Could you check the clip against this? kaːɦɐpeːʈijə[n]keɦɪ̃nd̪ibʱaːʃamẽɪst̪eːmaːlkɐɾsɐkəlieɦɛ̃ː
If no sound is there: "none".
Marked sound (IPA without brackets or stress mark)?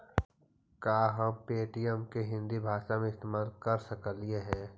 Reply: m